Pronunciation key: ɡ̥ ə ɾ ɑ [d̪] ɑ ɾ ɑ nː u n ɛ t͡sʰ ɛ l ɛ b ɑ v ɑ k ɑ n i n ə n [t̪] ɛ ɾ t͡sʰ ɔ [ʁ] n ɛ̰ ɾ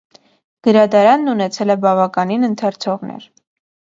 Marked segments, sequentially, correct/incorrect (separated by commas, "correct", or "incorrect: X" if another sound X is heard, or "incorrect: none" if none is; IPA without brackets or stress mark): correct, incorrect: t̪ʰ, correct